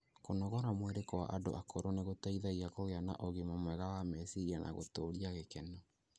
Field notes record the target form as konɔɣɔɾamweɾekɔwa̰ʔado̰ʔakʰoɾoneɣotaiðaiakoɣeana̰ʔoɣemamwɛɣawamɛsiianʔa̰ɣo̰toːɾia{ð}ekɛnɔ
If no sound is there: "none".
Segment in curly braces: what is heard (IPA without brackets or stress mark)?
ɣ